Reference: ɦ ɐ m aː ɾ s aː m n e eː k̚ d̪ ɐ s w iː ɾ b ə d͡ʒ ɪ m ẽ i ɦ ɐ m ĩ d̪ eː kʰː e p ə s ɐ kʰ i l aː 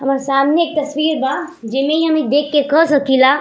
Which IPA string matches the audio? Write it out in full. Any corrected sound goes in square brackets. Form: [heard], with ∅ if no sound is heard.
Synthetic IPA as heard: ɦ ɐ m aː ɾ s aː m n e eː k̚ [t̪] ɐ s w iː ɾ b [a] d͡ʒ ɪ m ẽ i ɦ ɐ m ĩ d̪ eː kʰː e [k] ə s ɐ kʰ i l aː